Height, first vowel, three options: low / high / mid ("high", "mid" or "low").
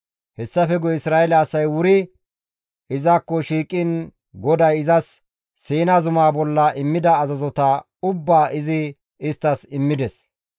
mid